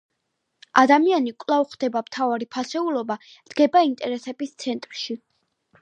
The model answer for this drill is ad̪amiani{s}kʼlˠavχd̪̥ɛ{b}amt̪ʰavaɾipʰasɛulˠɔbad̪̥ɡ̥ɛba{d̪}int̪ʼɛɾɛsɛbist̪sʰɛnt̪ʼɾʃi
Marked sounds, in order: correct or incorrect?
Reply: incorrect: none, correct, incorrect: none

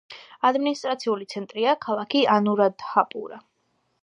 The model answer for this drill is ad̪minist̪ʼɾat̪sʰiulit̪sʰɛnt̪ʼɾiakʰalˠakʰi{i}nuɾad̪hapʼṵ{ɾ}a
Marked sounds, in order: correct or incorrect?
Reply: incorrect: a, correct

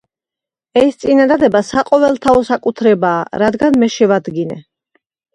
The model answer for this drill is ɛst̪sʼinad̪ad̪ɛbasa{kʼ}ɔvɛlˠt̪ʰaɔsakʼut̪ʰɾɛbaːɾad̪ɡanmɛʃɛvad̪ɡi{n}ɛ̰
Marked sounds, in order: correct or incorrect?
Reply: incorrect: qʼ, correct

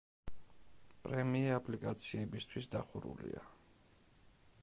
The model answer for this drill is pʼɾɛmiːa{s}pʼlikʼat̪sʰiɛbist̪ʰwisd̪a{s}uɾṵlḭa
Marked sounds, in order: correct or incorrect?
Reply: incorrect: none, incorrect: χ

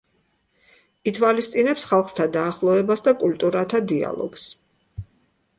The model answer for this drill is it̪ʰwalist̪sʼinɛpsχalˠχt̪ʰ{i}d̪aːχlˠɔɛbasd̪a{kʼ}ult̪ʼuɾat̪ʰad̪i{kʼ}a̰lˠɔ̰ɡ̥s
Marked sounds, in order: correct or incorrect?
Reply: incorrect: a, correct, incorrect: none

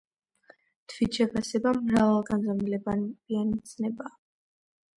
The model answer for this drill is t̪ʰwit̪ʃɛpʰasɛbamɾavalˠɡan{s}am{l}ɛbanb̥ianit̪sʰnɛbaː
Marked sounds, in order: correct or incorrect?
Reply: incorrect: z, correct

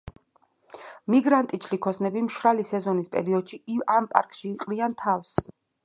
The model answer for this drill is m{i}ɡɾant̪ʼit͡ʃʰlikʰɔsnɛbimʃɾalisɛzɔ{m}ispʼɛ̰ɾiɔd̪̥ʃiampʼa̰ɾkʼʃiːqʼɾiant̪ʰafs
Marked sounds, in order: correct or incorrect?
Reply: correct, incorrect: n

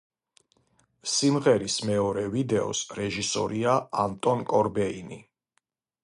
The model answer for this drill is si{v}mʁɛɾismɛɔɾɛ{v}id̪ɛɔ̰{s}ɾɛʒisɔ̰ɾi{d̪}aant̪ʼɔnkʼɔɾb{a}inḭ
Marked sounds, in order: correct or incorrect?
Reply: incorrect: none, correct, correct, incorrect: none, incorrect: ɛ

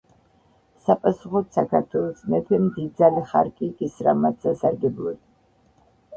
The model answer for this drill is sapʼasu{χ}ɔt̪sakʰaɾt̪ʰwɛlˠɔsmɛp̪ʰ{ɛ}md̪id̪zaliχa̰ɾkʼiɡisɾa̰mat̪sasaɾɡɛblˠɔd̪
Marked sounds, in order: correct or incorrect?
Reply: correct, correct

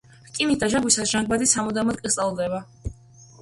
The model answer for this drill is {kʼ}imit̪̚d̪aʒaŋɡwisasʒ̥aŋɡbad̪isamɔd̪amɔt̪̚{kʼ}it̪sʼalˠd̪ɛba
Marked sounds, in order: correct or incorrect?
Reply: correct, correct

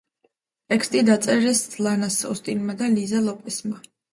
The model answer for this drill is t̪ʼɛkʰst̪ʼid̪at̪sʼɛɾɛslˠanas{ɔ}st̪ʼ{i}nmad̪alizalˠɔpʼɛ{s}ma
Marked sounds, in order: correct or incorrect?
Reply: correct, correct, correct

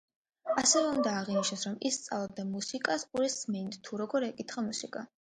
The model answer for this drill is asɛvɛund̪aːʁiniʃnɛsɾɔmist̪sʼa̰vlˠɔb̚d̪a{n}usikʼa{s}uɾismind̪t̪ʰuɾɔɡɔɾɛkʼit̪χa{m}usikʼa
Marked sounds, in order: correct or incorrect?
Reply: incorrect: m, correct, correct

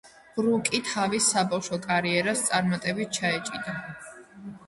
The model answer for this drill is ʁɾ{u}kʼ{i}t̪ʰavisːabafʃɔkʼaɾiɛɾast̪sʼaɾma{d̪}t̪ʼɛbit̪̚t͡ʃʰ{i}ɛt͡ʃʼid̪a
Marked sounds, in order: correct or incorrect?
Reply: correct, correct, incorrect: none, incorrect: a

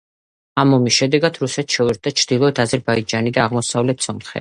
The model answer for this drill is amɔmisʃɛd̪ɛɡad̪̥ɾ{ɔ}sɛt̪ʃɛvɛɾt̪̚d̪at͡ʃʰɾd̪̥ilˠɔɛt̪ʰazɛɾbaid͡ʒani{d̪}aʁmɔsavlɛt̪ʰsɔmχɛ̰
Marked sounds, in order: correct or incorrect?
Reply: incorrect: u, correct

